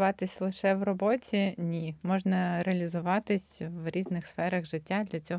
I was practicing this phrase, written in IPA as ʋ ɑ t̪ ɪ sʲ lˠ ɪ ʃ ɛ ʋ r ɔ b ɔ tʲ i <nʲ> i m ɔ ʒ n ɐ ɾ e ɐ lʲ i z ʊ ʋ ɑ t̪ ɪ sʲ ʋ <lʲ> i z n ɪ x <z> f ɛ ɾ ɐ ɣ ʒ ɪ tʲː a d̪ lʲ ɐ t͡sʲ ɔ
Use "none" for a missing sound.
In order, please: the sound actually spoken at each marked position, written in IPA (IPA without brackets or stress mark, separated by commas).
nʲ, ɾʲ, s